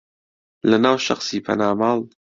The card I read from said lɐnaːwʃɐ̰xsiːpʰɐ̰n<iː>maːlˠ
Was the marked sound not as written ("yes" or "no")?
yes